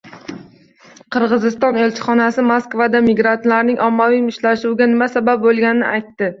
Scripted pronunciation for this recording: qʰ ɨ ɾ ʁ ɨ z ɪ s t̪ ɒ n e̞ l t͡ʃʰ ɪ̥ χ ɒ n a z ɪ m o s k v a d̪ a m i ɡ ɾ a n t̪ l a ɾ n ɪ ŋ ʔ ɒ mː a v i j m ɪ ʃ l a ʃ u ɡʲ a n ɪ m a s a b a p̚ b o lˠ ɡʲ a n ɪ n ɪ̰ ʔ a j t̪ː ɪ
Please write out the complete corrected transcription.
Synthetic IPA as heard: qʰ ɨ ɾ ʁ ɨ z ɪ s t̪ ɒ n e̞ l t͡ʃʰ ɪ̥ χ ɒ n a s ɪ m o s k v a d̪ a m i ɡ ɾ a n t̪ l a ɾ n ɪ ŋ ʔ ɒ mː a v i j m ɪ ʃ l a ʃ u ɡʲ a n ɪ m a s a b a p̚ b o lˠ ɡʲ a n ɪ n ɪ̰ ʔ a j t̪ː ɪ

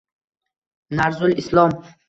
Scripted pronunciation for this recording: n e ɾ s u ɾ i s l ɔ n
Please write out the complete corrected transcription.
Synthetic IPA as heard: n a ɾ z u l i s l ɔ m

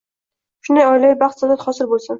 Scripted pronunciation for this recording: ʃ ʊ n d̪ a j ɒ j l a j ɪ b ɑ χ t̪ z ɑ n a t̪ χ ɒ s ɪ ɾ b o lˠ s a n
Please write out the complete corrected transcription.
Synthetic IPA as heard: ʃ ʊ n d̪ a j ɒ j l a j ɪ b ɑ χ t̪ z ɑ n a t̪ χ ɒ s ɪ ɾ b o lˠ s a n

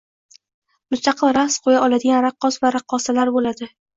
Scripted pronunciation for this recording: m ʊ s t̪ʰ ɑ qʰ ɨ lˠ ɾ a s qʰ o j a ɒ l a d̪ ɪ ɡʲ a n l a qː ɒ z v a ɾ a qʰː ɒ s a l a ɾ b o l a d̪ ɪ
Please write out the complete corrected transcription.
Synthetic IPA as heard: m ʊ s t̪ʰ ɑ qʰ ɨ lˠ ɾ a s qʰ o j a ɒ l a d̪ ɪ ɡʲ a n ɾ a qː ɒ s v a ɾ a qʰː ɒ s a l a ɾ b o l a d̪ ɪ

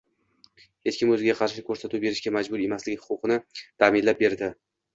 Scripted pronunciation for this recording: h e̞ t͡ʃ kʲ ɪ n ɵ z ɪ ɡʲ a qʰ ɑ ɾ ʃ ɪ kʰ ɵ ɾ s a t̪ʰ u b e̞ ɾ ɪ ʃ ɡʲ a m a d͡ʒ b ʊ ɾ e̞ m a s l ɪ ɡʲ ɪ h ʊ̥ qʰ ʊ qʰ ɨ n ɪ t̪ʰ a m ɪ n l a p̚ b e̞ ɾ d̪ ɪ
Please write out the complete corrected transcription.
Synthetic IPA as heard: h e̞ t͡ʃ kʲ ɪ m ɵ z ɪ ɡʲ a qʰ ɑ ɾ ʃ ɪ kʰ ɵ ɾ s a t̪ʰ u b e̞ ɾ ɪ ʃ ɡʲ a m a d͡ʒ b ʊ ɾ e̞ m a s l ɪ ɡʲ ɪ h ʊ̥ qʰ ʊ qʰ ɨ n ɪ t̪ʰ a m ɪ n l a p̚ b e̞ ɾ d̪ ɪ

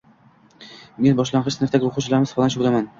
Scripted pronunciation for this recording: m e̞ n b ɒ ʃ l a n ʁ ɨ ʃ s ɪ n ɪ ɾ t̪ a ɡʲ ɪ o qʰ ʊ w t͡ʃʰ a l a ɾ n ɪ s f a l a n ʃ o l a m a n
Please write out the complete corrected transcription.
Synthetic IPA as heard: m e̞ n b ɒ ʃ l a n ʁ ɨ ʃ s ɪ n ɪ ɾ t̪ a ɡʲ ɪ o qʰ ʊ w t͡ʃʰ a l a ɾ m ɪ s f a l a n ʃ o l a m a n

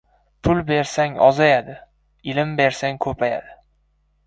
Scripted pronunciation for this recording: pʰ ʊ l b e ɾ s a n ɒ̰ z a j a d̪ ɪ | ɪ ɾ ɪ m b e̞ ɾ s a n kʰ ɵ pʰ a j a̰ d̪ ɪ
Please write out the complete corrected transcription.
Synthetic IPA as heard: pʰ ʊ l b e ɾ s a ŋ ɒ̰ z a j a d̪ ɪ | ɪ l ɪ m b e̞ ɾ s a ŋ kʰ ɵ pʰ a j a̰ d̪ ɪ

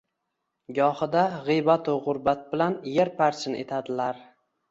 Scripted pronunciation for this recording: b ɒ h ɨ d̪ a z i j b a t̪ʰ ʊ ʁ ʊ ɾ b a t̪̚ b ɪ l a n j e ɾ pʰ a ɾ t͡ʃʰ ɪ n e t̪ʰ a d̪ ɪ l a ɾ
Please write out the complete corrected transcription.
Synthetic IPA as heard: ɡ ɒ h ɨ d̪ a ʁ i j b a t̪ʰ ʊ ʁ ʊ ɾ b a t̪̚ b ɪ l a n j e ɾ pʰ a ɾ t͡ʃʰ ɪ n e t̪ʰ a d̪ ɪ l a ɾ

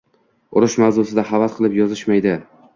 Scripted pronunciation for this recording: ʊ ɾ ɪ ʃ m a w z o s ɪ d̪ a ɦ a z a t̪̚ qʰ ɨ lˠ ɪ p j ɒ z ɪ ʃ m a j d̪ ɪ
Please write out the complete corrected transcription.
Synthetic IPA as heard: ʊ ɾ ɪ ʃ m a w z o s ɪ d̪ a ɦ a v a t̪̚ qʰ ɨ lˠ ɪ p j ɒ z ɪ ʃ m a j d̪ ɪ

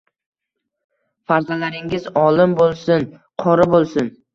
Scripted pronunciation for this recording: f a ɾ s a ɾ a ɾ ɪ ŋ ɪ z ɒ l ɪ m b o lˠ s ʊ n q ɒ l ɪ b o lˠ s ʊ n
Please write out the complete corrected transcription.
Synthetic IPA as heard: f a ɾ z a l a ɾ ɪ ŋ ɪ z ɒ l ɪ m b o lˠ s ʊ n qʰ ɒ ɾ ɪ b o lˠ s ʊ n

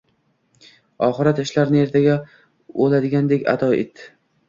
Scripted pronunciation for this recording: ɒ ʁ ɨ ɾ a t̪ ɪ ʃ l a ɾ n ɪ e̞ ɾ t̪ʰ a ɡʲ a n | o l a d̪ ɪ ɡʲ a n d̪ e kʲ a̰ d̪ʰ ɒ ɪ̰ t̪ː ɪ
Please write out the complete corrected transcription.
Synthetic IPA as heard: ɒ χ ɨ ɾ a t̪ ɪ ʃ l a ɾ n ɪ e̞ ɾ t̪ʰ a ɡʲ a | o l a d̪ ɪ ɡʲ a n d̪ e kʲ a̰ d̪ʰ ɒ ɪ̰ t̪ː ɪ

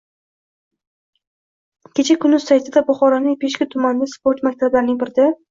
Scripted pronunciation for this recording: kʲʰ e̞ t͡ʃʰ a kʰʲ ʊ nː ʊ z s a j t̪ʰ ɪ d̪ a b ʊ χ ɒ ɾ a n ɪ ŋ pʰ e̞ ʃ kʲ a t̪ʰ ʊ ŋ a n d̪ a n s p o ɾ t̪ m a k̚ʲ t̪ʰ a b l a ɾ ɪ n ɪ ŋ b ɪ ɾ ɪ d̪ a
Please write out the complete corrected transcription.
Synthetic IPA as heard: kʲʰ e̞ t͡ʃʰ a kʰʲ ʊ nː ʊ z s a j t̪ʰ ɪ d̪ a b ʊ χ ɒ ɾ a n ɪ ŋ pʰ e̞ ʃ kʲ a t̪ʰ ʊ m a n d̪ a s p o ɾ t̪ m a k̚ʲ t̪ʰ a b l a ɾ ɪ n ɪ ŋ b ɪ ɾ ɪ d̪ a

